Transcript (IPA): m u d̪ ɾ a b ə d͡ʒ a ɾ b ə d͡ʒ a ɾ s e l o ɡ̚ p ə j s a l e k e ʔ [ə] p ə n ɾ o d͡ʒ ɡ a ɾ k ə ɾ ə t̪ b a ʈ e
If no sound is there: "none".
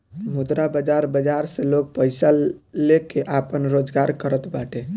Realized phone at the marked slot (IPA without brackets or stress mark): a